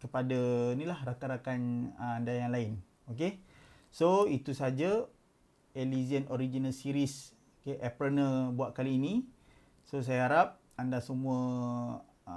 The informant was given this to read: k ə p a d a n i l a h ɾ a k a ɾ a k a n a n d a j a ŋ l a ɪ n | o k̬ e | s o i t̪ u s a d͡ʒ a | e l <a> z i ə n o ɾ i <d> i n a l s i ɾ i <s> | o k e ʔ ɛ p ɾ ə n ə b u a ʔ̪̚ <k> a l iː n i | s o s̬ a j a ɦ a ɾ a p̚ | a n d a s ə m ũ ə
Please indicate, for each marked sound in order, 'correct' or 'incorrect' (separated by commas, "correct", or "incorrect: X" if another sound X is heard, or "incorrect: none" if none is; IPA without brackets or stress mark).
incorrect: i, incorrect: d͡ʒ, correct, correct